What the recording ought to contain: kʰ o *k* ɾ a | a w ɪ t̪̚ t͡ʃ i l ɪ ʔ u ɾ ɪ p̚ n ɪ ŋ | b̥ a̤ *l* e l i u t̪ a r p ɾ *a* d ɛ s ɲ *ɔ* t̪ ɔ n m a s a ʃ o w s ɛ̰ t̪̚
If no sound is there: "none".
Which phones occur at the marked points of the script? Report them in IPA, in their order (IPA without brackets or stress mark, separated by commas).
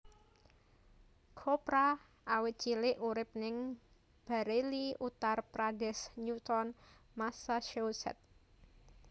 p, ɾ, a, u